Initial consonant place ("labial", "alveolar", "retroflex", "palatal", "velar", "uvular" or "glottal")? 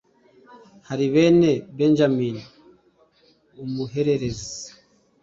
glottal